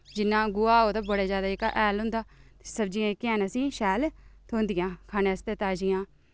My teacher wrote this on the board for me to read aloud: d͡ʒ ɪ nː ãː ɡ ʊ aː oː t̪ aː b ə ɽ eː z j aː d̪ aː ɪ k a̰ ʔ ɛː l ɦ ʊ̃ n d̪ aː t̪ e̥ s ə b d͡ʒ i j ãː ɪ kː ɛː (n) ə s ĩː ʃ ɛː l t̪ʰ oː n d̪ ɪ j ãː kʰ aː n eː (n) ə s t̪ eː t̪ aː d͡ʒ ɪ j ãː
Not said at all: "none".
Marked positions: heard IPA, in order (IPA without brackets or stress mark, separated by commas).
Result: n, none